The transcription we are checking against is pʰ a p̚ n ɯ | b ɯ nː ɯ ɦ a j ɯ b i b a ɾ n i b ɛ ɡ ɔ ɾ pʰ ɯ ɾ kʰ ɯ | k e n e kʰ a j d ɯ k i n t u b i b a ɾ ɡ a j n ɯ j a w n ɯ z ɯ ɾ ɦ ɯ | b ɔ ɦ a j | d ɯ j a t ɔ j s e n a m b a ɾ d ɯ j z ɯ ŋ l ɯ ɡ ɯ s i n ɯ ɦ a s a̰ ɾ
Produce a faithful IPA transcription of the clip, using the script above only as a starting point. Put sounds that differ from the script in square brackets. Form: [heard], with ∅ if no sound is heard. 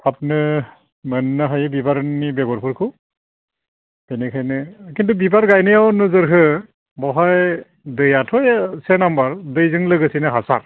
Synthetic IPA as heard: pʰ a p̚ n ɯ | [m] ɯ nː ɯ ɦ a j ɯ b i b a ɾ n i b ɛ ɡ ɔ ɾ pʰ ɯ ɾ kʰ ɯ | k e n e kʰ a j [n] ɯ k i n t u b i b a ɾ ɡ a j n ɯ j a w n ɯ z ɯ ɾ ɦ ɯ | b ɔ ɦ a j | d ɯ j a [tʰ] ɔ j s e n a m b a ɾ d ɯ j z ɯ ŋ l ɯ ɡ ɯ s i n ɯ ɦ a s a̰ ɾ

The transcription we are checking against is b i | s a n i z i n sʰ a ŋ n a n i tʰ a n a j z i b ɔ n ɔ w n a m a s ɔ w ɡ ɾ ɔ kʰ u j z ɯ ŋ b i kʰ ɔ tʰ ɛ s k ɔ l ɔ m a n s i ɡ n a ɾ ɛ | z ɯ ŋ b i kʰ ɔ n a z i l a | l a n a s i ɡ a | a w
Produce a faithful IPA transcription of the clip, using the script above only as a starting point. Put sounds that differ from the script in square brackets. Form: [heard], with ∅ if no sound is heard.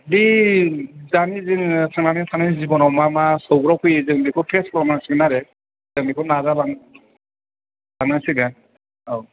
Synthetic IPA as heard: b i | [z] a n i z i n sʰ a ŋ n a n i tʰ a n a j z i b ɔ n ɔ w [m] a m a s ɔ w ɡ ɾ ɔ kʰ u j z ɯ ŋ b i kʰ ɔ [pʰ] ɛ s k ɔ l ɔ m a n s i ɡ n a ɾ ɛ | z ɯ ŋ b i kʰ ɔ n a z [a] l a | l a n a s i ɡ a | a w

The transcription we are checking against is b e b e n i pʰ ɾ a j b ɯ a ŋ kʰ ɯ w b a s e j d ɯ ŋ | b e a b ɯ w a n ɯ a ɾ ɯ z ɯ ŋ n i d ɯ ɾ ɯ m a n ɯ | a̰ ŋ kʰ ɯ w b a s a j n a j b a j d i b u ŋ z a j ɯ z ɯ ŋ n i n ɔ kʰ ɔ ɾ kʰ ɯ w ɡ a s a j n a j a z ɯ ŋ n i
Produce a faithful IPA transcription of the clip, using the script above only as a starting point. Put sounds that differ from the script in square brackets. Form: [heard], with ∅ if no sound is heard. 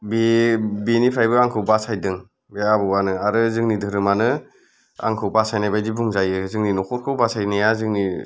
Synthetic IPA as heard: b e b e n i pʰ ɾ a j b ɯ a ŋ kʰ ɯ w b a s [a] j d ɯ ŋ | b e a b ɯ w a n ɯ a ɾ ɯ z ɯ ŋ n i d ɯ ɾ ɯ m a n ɯ | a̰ ŋ kʰ ɯ w b a s a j n a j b a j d i b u ŋ z a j ɯ z ɯ ŋ n i n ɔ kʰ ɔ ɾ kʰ ɯ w [b] a s a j n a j a z ɯ ŋ n i

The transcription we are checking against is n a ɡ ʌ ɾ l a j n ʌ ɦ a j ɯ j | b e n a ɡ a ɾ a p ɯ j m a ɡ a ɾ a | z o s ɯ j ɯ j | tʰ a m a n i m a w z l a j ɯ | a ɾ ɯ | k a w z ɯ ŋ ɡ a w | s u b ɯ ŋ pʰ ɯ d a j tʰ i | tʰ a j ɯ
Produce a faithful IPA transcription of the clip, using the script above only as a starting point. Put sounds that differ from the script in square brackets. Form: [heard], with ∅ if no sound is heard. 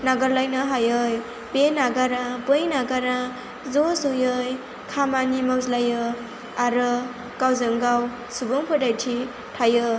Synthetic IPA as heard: n a ɡ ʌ ɾ l a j n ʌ ɦ a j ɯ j | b e n a ɡ a ɾ a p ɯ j [n] a ɡ a ɾ a | z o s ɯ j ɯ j | [kʰ] a m a n i m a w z l a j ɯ | a ɾ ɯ | k a w z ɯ ŋ ɡ a w | s u b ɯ ŋ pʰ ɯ d a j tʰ i | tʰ a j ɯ

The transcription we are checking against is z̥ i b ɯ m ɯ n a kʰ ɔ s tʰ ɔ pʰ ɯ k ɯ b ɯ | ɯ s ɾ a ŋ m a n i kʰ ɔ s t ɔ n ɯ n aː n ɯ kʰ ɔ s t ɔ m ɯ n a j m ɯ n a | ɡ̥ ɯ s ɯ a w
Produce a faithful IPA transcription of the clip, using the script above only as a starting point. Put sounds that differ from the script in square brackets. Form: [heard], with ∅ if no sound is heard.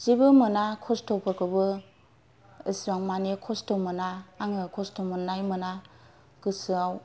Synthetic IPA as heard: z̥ i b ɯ m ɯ n a kʰ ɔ s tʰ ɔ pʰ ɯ k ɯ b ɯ | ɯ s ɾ a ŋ m a n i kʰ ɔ s t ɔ [m] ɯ n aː [ŋ] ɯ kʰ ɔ s t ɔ m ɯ n a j m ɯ n a | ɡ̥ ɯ s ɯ a w

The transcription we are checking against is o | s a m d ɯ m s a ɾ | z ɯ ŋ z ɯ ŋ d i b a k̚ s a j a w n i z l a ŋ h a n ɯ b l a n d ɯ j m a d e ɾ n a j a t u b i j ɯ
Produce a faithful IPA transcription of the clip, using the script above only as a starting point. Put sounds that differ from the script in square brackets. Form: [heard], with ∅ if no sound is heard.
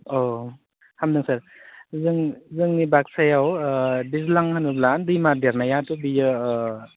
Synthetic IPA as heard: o | [h] a m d ɯ [ŋ] s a ɾ | z ɯ ŋ z ɯ ŋ [n] i b a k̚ s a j a w [d] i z l a ŋ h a n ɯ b l a n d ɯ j m a d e ɾ n a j a t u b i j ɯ

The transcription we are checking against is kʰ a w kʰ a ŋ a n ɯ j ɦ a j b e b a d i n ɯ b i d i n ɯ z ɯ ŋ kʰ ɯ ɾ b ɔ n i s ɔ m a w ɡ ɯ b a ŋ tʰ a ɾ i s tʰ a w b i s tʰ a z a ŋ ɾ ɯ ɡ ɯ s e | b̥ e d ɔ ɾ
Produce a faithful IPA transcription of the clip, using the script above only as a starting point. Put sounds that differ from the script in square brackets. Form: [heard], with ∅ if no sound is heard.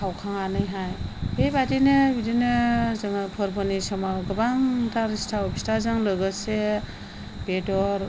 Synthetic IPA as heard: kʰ a w kʰ a ŋ a n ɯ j ɦ a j b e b a d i n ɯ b i d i n ɯ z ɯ ŋ [pʰ] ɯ ɾ b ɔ n i s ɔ m a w ɡ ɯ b a ŋ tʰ a ɾ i s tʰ a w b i s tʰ a z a ŋ [l] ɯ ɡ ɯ s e | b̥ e d ɔ ɾ

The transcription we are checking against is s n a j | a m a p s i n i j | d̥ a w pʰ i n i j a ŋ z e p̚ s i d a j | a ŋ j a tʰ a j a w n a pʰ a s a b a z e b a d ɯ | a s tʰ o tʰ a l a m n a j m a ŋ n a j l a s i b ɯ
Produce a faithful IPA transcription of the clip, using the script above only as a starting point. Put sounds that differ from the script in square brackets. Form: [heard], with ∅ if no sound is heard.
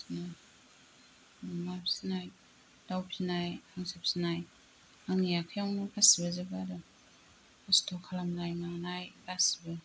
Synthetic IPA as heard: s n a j | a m a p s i n [a] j | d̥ a w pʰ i n [a] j a ŋ [s] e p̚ s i [n] a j | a ŋ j a [kʰ] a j a w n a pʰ a s [i] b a z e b a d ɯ | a s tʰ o [kʰ] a l a m n a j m a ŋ n a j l a s i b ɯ

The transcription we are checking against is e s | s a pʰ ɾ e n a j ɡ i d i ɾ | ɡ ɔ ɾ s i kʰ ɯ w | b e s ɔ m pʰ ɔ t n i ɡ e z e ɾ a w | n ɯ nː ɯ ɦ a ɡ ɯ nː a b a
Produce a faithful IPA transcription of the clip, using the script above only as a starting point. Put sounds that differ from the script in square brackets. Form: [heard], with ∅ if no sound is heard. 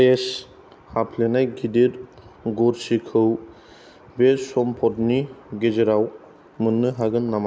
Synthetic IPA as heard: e s | [h] a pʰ [l] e n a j ɡ i d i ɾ | ɡ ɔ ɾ s i kʰ ɯ w | b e s ɔ m pʰ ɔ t n i ɡ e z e ɾ a w | [m] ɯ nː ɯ ɦ a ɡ ɯ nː a [m] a

